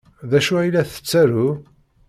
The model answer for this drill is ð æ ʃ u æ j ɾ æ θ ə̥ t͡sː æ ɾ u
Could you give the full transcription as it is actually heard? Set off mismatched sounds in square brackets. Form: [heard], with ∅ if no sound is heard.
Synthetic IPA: ð æ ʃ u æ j [l] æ θ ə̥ t͡sː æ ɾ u